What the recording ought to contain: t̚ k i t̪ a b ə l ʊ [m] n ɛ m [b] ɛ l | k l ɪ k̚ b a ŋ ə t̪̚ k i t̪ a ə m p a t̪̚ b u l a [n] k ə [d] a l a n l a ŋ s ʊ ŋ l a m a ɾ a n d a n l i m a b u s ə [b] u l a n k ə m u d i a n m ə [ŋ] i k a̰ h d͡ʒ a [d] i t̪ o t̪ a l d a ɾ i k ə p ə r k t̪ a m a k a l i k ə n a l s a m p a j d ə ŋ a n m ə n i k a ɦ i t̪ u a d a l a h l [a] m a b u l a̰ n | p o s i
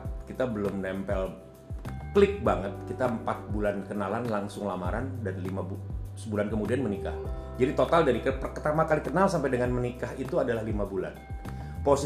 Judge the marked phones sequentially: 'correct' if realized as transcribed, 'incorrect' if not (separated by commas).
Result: correct, incorrect, correct, incorrect, correct, incorrect, correct, incorrect